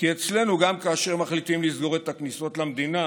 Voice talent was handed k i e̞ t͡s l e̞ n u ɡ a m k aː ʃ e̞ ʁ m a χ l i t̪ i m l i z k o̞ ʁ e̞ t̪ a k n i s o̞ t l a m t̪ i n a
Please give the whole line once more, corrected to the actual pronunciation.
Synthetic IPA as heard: k i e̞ t͡s l e̞ n u ɡ a m k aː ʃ e̞ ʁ m a χ l i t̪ i m l i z ɡ o̞ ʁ e̞ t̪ a k n i s o̞ t l a m d̪ i n a